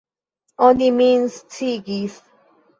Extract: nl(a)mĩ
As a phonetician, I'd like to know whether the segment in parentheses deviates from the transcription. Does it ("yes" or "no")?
yes